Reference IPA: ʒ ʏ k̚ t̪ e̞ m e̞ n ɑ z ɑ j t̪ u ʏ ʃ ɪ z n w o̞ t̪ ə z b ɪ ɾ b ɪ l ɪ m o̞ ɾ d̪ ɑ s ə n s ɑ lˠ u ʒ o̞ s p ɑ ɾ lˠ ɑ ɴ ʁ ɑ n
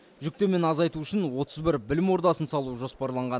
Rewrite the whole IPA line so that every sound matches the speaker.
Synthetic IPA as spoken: ʒ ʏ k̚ t̪ e̞ m e̞ n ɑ z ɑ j t̪ u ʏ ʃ ɪ n w o̞ t̪ ə z b ɪ ɾ b ɪ l ɪ m o̞ ɾ d̪ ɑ s ə n s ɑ lˠ u ʒ o̞ s p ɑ ɾ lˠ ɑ ɴ ʁ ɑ n